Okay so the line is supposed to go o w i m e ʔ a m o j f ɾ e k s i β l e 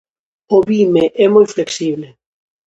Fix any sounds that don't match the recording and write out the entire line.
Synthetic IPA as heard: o β i m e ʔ ɛ m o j f l e k s i β l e